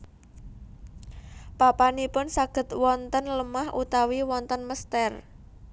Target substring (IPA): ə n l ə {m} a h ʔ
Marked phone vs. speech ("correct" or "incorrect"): correct